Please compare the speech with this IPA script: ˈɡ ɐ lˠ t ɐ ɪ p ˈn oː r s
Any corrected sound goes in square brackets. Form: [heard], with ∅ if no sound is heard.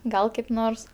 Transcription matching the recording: ˈɡ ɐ lˠ [k] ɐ ɪ p ˈn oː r s